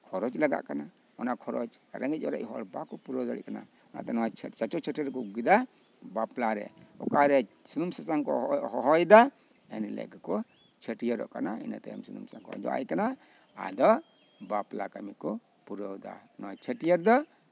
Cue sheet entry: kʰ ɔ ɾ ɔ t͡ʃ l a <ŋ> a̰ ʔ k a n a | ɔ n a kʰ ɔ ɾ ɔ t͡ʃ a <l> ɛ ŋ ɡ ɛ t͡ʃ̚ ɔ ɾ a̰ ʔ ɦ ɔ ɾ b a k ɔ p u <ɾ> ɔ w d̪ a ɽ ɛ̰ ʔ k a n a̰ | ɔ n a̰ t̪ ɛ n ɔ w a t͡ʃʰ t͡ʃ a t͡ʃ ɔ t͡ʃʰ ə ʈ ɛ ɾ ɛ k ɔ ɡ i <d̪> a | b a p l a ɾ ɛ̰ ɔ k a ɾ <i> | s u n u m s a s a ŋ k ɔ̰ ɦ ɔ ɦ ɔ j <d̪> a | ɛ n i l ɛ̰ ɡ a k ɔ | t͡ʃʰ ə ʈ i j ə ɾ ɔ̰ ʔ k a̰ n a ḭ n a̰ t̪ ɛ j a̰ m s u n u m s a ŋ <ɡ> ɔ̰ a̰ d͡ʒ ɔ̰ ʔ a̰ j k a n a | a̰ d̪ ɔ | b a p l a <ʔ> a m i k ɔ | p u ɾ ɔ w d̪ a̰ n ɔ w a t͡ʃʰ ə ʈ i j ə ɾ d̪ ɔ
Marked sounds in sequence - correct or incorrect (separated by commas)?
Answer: incorrect, incorrect, correct, correct, incorrect, correct, incorrect, incorrect